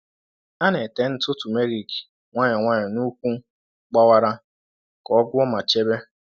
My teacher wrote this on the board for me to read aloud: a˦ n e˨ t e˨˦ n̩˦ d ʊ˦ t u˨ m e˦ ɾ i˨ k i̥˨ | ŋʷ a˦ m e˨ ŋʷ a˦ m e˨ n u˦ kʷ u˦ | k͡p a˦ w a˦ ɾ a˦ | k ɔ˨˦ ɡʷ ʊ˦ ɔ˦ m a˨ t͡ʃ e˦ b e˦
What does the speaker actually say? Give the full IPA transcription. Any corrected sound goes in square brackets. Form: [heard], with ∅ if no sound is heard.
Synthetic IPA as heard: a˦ n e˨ t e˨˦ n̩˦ [t] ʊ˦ t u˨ m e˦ ɾ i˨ k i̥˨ | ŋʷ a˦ [ɲ] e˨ ŋʷ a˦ [ɲ] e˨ n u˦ kʷ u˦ | k͡p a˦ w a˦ ɾ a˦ | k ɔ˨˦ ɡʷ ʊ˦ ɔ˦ m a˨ t͡ʃ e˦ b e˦